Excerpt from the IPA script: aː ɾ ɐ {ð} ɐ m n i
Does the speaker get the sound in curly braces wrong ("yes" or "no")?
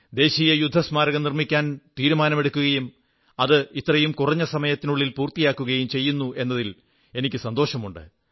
yes